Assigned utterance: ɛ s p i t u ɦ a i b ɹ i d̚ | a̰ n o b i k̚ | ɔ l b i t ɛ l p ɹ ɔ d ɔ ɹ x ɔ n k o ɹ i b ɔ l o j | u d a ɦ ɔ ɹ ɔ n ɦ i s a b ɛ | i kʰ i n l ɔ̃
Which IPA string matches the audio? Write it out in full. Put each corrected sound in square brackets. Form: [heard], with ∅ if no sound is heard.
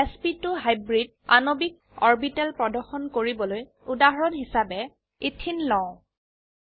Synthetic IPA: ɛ s p i t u ɦ a [j] b ɹ i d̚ | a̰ n o b i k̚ | ɔ [ɹ] b i t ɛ l p ɹ ɔ d ɔ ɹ x ɔ n k o ɹ i b ɔ l o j | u d a ɦ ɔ ɹ ɔ n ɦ i s a b ɛ | i [tʰ] i n l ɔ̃